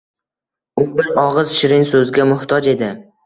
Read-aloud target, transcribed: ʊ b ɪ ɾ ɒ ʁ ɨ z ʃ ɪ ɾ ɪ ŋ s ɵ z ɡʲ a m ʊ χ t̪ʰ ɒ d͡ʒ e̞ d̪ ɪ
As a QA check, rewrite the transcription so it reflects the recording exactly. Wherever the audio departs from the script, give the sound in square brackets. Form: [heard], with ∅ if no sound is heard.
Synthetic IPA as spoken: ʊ b ɪ ɾ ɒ ʁ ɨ z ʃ ɪ ɾ ɪ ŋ s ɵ z ɡʲ a m ʊ [h] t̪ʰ ɒ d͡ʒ e̞ d̪ ɪ

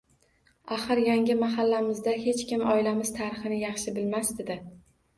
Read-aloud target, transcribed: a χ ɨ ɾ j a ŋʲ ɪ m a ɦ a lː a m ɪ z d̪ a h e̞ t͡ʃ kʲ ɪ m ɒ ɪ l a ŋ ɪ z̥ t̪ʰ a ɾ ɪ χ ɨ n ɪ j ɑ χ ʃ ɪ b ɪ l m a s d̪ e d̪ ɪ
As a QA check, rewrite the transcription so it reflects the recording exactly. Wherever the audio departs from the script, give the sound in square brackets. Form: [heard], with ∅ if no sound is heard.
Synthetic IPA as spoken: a χ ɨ ɾ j a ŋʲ ɪ m a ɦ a lː a m ɪ z d̪ a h e̞ t͡ʃ kʲ ɪ m ɒ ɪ l a [m] ɪ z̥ t̪ʰ a ɾ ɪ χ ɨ n ɪ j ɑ χ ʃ ɪ b ɪ l m a s d̪ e d̪ ɪ

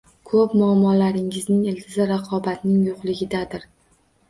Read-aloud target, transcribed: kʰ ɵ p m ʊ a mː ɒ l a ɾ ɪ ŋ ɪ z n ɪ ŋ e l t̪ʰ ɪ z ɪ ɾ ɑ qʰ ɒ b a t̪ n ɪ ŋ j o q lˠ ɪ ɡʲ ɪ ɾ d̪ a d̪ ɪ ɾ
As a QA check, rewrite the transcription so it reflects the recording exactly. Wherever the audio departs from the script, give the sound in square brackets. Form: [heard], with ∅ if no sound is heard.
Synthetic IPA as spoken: kʰ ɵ p m ʊ a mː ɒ l a ɾ ɪ ŋ ɪ z n ɪ ŋ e l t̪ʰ ɪ z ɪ ɾ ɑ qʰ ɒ b a t̪ n ɪ ŋ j o q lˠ ɪ ɡʲ ɪ [∅] d̪ a d̪ ɪ ɾ

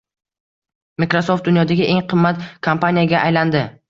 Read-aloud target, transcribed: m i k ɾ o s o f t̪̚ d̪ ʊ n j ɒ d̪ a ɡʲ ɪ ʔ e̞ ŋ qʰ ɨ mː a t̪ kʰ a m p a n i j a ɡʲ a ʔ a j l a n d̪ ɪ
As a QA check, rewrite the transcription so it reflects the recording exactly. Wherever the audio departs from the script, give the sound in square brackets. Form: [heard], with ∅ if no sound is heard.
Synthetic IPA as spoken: m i k ɾ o s o f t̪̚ d̪ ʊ n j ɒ d̪ a ɡʲ ɪ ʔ e̞ ŋ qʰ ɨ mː a t̪ kʰ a m p a n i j a ɡʲ a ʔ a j l a n d̪ ɪ

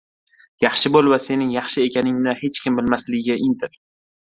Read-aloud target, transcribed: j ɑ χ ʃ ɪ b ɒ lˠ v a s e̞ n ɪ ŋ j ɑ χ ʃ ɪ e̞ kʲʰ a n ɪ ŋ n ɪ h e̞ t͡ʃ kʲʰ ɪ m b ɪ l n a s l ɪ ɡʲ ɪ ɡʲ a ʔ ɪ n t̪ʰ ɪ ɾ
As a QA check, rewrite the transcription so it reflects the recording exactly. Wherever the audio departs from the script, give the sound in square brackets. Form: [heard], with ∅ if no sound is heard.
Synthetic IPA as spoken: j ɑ χ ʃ ɪ b [o] lˠ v a s e̞ n ɪ ŋ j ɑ χ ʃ ɪ e̞ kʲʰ a n ɪ ŋ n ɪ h e̞ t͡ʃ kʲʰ ɪ m b ɪ l [m] a s l ɪ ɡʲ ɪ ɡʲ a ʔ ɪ n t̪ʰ ɪ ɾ

